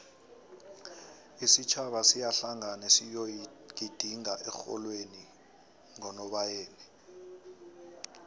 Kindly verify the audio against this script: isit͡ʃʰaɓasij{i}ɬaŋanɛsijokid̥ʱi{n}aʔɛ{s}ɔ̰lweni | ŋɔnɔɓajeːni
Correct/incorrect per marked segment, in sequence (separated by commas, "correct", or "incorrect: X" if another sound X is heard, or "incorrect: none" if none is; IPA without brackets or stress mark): incorrect: a, incorrect: ŋ, incorrect: x